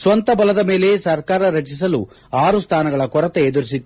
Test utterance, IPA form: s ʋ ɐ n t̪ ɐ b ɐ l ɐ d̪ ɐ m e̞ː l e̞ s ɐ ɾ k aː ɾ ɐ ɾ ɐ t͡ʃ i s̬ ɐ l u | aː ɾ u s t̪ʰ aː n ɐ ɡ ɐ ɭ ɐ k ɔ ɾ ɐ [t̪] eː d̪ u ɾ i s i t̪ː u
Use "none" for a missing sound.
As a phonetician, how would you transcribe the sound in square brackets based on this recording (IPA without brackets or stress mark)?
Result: t̪